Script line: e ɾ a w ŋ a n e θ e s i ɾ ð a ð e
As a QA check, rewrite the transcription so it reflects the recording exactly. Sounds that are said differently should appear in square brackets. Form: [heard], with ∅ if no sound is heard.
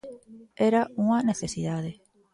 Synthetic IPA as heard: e ɾ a [u] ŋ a n e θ e s i [∅] ð a ð e

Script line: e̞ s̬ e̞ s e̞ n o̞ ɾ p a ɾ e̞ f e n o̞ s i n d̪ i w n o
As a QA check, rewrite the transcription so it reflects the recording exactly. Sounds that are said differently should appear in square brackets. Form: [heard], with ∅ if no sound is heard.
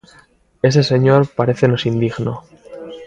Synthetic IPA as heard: e̞ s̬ e̞ s e̞ [ɲ] o̞ ɾ p a ɾ e̞ [θ] e n o̞ s i n d̪ i [ɣ] n o

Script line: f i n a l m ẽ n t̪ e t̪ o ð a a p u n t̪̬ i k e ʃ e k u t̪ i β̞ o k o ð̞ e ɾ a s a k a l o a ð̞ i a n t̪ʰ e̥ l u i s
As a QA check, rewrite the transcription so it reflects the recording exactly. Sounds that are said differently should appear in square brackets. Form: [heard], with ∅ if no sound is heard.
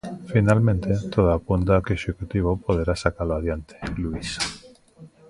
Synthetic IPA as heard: f i n a l m ẽ n t̪ e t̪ o ð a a p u n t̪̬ [a] k e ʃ e k u t̪ i β̞ o [p] o ð̞ e ɾ a s a k a l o a ð̞ [j] a n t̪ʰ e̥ l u i s

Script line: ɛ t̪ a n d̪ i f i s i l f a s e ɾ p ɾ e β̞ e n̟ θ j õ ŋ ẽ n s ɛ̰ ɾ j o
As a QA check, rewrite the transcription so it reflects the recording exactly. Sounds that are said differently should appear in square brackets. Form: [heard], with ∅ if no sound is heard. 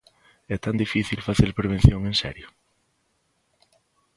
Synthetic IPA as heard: ɛ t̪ a n d̪ i f i [θ] i l f a [θ] e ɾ p ɾ e β̞ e n̟ θ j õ ŋ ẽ n s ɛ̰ ɾ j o

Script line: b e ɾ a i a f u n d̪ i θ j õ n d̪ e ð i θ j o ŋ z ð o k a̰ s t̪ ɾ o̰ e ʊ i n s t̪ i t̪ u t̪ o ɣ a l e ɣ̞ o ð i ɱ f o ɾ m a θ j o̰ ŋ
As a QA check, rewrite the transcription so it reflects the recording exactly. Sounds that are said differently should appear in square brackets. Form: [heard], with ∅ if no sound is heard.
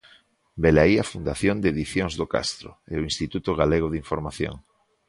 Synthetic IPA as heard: b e [l] a i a f u n d̪ [a] θ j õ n d̪ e ð i θ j o ŋ z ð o k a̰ s t̪ ɾ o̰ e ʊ i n s t̪ i t̪ u t̪ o ɣ a l e ɣ̞ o ð i ɱ f o ɾ m a θ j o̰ ŋ

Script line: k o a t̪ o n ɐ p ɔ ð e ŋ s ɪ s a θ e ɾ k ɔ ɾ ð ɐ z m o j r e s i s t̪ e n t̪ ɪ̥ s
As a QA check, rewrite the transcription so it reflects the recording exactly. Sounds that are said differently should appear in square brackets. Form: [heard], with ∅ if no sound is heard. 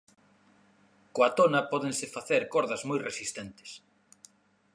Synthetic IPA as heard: k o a t̪ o n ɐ p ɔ ð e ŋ s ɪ [f] a θ e ɾ k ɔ ɾ ð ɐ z m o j r e s i s t̪ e n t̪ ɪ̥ s

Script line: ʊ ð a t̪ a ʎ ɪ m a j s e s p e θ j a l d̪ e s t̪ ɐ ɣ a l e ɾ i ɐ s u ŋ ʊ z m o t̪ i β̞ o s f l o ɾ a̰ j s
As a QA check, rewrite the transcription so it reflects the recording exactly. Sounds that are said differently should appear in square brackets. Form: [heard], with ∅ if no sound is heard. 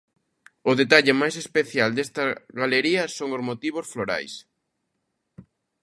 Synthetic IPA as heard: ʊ ð [e] t̪ a ʎ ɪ m a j s e s p e θ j a l d̪ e s t̪ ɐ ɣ a l e ɾ i ɐ s [o] ŋ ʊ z m o t̪ i β̞ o s f l o ɾ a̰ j s

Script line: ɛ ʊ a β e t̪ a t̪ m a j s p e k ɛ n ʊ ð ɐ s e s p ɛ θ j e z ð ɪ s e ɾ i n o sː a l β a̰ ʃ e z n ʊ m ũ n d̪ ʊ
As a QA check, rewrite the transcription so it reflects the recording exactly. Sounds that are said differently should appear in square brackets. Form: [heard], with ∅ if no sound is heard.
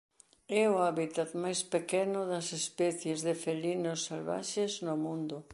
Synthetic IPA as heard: ɛ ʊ a β [i] t̪ a t̪ m a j s p e k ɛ n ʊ ð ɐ s e s p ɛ θ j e z ð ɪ [f] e [l] i n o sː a l β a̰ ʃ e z n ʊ m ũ n d̪ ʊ

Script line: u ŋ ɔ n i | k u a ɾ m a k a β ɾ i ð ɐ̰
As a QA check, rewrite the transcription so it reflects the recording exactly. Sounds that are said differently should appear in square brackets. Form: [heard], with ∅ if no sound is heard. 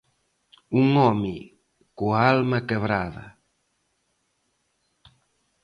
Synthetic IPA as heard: u ŋ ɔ [m] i | k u a [l] m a k [e] β ɾ [a] ð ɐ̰

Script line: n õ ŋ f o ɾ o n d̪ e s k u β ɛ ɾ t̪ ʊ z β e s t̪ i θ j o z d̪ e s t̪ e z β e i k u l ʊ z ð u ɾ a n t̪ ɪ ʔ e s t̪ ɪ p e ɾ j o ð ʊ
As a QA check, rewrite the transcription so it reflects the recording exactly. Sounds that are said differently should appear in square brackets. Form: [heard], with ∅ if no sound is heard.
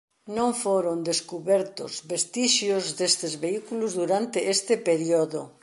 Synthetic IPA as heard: n õ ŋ f o ɾ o n d̪ e s k u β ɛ ɾ t̪ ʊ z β e s t̪ i [ʃ] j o z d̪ e s t̪ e z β e i k u l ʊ z ð u ɾ a n t̪ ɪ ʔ e s t̪ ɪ p e ɾ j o ð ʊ

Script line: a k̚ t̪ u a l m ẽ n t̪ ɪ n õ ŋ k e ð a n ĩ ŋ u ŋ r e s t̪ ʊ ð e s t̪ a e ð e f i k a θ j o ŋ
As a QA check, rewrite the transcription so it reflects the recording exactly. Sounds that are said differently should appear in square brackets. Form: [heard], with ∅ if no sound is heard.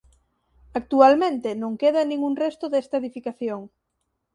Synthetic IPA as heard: a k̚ t̪ u a l m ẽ n t̪ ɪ n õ ŋ k e ð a n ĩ ŋ u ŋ r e s t̪ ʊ ð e s t̪ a e ð [i] f i k a θ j o ŋ

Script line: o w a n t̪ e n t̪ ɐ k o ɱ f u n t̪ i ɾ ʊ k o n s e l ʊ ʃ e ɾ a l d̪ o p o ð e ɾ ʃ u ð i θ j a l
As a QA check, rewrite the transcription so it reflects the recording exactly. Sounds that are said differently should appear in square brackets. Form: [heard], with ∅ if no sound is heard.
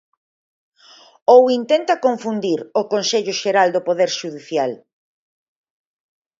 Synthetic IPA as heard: o w [i] n t̪ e n t̪ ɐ k o ɱ f u n [d̪] i ɾ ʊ k o n s e [ʎ] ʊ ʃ e ɾ a l d̪ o p o ð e ɾ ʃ u ð i θ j a l

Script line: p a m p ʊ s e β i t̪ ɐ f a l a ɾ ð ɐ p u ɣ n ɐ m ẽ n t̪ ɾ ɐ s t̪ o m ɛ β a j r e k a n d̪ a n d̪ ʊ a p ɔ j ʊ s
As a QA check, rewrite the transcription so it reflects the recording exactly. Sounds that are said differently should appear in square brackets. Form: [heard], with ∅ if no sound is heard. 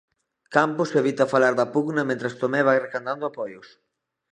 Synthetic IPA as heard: [k] a m p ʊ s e β i t̪ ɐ f a l a ɾ ð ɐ p u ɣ n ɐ m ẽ n t̪ ɾ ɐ s t̪ o m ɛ β a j r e k a n d̪ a n d̪ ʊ a p ɔ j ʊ s

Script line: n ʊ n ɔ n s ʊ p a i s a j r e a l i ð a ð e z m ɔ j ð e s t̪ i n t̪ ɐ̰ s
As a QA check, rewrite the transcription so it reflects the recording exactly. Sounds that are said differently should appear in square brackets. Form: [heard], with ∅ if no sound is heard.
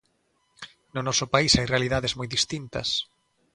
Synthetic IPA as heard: n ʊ n ɔ [∅] s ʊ p a i s a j r e a l i ð a ð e z m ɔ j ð [i] s t̪ i n t̪ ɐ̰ s

